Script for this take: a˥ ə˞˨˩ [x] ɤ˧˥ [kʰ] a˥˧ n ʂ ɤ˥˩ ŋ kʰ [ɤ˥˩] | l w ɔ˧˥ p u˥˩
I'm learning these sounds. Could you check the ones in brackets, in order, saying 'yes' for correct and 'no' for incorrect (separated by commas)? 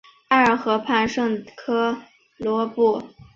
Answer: yes, no, no